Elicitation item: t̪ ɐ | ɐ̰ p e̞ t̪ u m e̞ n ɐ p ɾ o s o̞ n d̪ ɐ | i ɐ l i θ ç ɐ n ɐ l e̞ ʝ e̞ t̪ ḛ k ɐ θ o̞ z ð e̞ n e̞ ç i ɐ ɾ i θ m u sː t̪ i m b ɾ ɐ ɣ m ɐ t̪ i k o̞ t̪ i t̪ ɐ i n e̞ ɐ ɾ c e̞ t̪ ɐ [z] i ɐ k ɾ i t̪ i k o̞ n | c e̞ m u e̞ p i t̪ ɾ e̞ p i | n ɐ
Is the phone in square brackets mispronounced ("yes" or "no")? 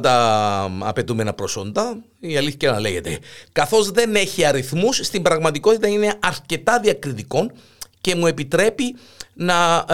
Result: yes